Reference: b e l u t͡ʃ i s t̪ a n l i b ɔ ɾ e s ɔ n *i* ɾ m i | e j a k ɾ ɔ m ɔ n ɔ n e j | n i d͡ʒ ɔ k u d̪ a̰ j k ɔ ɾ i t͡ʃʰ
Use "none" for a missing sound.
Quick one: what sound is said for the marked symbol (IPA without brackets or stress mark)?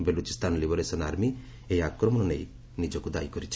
a